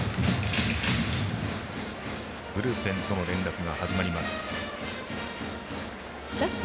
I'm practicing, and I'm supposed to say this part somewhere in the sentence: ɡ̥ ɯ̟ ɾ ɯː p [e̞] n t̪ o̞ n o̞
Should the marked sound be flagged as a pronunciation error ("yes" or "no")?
yes